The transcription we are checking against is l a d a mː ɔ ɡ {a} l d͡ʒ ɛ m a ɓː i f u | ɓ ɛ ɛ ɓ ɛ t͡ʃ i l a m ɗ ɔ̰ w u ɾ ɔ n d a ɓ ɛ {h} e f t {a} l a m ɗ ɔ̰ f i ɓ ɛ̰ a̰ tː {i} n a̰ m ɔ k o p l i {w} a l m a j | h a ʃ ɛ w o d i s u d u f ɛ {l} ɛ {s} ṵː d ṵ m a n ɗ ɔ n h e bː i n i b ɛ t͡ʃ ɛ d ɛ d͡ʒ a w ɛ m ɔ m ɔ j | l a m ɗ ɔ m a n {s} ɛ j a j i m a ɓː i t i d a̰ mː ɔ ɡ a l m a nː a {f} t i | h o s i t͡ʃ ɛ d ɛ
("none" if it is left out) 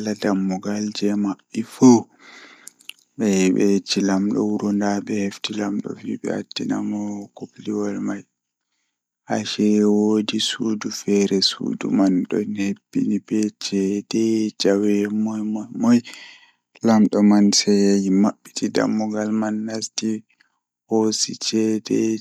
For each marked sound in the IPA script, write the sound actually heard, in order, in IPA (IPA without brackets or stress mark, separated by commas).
a, h, i, i, w, ɾ, s, s, s